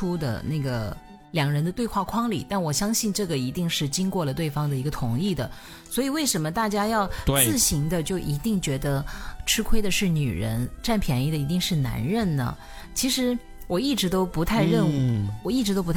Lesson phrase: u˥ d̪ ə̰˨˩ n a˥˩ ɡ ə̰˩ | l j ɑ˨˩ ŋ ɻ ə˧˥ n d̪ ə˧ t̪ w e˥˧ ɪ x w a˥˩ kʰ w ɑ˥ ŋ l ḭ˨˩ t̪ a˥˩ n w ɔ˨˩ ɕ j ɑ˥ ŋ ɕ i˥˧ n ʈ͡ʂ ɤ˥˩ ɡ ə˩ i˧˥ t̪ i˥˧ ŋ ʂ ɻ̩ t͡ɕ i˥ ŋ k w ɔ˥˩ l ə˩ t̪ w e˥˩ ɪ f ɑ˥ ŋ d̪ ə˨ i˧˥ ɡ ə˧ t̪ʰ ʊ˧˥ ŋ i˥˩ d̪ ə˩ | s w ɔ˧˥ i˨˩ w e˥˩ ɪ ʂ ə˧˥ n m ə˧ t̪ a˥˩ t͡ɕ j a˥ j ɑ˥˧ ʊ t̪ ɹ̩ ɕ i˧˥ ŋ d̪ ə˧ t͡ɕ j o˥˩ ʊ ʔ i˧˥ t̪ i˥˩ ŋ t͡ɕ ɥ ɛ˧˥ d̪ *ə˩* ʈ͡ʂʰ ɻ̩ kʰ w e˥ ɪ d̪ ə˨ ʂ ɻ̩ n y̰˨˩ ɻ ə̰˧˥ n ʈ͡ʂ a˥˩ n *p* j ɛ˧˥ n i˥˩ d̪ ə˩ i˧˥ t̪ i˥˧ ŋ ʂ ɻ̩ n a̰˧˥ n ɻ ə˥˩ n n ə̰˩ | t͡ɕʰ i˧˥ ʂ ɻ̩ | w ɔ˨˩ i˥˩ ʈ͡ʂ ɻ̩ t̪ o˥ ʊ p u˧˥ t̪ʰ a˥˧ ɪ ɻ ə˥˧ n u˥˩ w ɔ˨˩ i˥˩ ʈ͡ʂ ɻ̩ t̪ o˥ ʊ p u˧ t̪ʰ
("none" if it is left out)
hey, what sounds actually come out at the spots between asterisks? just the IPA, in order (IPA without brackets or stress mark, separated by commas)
ə˧, pʰ